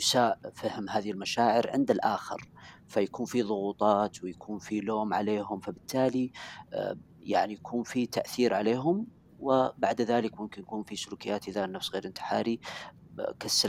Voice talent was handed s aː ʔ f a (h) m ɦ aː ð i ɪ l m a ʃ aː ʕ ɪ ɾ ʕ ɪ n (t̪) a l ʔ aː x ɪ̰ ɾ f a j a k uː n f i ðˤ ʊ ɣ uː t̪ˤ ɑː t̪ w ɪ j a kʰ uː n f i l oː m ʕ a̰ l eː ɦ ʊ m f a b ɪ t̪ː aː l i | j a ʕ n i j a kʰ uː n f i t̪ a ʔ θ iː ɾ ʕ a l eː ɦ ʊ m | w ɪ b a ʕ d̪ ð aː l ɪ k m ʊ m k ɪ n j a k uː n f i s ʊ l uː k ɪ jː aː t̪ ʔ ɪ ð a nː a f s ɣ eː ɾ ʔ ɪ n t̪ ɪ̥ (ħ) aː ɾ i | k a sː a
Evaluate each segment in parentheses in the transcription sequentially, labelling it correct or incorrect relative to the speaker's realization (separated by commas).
correct, incorrect, correct